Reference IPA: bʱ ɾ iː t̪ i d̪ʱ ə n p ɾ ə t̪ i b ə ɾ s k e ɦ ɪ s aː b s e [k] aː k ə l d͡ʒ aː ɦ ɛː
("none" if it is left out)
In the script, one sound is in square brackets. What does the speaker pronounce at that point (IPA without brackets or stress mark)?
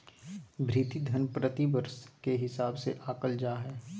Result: ʔ